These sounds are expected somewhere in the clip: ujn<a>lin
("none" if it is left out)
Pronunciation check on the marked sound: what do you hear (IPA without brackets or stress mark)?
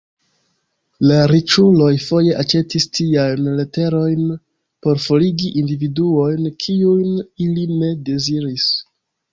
i